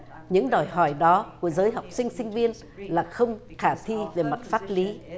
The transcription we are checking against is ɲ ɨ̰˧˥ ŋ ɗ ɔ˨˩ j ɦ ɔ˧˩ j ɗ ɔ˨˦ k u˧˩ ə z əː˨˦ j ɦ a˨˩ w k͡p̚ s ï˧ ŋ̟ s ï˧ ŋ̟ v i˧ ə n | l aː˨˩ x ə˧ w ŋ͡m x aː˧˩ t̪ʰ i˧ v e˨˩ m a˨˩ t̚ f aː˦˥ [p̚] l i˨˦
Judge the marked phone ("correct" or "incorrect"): incorrect